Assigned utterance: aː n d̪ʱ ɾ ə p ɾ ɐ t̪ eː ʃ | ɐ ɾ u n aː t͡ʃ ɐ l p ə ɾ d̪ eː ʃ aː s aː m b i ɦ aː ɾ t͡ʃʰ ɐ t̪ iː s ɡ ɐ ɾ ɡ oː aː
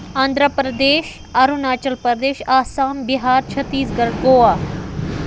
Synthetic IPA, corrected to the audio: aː n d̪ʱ ɾ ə p ɾ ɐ d̪ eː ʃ | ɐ ɾ u n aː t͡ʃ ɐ l p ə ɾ d̪ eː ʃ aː s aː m b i ɦ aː ɾ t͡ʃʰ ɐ t̪ iː s ɡ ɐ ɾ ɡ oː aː